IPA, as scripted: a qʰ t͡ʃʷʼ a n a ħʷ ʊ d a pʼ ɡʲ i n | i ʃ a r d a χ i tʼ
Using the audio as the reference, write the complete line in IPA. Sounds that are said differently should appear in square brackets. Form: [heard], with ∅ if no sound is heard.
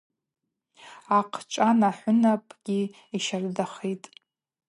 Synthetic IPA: a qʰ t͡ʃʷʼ a n a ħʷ ʊ [n] a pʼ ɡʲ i [∅] | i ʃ a r d a χ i tʼ